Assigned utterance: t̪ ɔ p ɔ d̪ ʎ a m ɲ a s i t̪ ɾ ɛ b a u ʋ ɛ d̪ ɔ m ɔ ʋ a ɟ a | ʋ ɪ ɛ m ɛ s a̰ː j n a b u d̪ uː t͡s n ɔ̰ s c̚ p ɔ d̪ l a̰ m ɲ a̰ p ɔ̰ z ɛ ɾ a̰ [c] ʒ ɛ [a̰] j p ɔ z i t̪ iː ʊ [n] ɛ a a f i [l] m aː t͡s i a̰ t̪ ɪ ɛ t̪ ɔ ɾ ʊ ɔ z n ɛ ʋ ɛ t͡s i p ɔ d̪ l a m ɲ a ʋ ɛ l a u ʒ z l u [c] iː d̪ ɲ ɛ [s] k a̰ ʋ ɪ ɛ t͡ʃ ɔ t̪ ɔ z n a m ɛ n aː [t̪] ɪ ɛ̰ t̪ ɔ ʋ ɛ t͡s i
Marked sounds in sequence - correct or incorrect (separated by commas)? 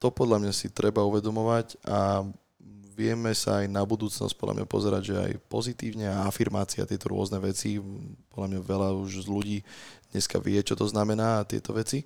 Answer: incorrect, correct, incorrect, incorrect, incorrect, correct, correct